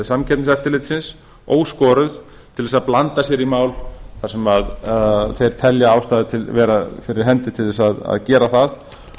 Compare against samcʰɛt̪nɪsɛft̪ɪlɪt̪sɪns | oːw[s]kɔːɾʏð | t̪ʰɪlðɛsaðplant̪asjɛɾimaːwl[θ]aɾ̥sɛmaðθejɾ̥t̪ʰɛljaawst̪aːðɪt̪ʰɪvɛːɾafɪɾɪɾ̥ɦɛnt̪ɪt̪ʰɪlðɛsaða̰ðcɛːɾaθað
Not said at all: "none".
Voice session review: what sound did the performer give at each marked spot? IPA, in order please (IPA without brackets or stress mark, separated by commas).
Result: s, θ